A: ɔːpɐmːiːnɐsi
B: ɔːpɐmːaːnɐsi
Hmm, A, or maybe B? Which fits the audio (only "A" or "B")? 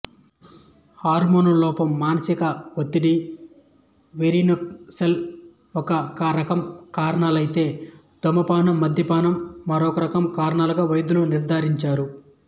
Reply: B